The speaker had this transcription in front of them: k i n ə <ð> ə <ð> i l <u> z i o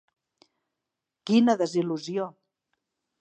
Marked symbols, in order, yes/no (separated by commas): yes, no, yes